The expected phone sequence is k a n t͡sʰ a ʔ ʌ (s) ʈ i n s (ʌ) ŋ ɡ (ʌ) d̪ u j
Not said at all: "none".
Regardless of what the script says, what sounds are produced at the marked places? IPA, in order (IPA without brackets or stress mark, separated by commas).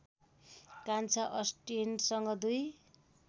s, ʌ, ʌ